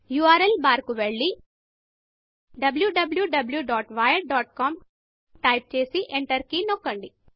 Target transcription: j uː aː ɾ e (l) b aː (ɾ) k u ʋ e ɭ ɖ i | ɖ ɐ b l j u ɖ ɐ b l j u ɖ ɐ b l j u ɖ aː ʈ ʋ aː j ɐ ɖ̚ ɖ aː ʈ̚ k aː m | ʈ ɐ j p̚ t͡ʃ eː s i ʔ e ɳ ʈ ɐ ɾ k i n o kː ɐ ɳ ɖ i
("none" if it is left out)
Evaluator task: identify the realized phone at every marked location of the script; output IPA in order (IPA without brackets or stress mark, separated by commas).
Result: l, ɾ